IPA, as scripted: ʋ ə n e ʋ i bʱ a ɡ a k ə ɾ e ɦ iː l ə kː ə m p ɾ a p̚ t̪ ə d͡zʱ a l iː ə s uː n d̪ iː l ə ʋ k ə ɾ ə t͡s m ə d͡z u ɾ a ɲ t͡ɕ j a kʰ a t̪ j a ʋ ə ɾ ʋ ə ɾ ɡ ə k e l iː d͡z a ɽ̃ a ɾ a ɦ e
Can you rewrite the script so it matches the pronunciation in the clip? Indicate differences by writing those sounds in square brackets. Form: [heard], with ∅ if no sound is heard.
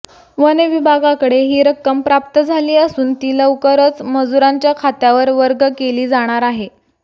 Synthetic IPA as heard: ʋ ə n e ʋ i bʱ a ɡ a k ə [ɽ] e ɦ iː [ɾ] ə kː ə m p ɾ a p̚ t̪ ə d͡zʱ a l iː ə s uː n [t̪] iː l ə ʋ k ə ɾ ə t͡s m ə d͡z u ɾ a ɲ t͡ɕ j a kʰ a t̪ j a ʋ ə ɾ ʋ ə ɾ ɡ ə k e l iː d͡z a ɽ̃ a ɾ a ɦ e